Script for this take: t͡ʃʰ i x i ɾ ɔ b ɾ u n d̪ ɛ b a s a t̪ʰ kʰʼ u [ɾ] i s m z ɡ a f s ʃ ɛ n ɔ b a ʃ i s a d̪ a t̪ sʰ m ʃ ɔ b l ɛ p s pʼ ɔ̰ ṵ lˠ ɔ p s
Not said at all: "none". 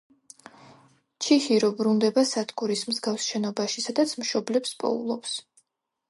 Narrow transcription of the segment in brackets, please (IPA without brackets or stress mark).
ɾ